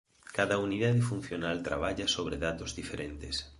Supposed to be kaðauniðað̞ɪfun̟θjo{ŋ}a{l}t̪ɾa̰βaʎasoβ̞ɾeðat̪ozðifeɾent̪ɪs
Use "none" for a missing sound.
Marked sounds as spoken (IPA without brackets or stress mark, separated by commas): n, l